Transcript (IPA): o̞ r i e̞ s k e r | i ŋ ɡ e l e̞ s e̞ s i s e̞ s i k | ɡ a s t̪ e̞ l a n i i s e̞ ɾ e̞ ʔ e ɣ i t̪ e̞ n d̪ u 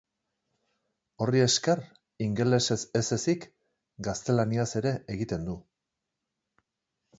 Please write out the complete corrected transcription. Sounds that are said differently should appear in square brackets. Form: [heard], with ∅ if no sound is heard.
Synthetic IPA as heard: o̞ r i e̞ s k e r | i ŋ ɡ e l e̞ s e̞ s [e] s e̞ s i k | ɡ a s t̪ e̞ l a n i [a] s e̞ ɾ e̞ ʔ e ɣ i t̪ e̞ n d̪ u